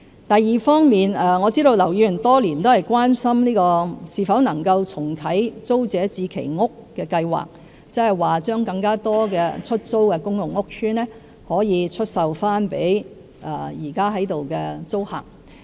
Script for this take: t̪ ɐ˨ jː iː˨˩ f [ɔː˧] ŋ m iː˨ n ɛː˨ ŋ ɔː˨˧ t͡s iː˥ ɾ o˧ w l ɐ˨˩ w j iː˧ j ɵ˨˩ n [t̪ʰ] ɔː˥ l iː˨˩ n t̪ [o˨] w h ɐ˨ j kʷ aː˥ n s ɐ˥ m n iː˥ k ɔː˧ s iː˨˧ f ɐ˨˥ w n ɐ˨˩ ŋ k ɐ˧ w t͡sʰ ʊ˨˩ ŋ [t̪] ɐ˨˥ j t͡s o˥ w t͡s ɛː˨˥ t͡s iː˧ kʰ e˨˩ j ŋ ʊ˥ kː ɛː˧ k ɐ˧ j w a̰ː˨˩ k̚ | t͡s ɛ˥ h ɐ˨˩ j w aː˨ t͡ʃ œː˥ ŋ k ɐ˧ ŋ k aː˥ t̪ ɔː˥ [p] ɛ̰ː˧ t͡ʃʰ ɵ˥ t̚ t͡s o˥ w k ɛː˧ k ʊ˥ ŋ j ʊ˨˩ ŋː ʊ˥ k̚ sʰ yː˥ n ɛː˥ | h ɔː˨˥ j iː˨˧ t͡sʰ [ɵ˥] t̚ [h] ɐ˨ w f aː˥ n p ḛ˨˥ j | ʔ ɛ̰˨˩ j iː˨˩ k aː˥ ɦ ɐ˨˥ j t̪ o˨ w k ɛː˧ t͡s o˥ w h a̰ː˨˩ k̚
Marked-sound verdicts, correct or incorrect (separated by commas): incorrect, incorrect, incorrect, incorrect, incorrect, correct, incorrect